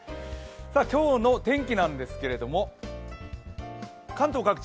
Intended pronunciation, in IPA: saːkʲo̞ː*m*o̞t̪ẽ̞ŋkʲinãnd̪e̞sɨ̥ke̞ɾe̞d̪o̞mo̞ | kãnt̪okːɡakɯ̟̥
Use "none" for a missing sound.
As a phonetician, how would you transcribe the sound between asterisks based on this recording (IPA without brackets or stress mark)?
n